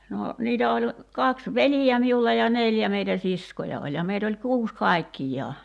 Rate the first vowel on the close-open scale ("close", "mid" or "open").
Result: mid